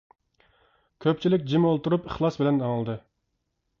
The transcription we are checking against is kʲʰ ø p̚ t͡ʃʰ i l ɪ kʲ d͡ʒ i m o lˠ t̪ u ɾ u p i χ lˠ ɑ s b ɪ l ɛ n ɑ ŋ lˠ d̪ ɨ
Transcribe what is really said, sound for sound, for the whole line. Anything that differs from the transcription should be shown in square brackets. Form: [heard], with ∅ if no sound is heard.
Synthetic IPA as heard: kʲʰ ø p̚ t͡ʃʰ i l ɪ kʲ d͡ʒ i m o lˠ t̪ u ɾ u p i χ lˠ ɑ s b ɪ l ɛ n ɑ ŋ lˠ d̪ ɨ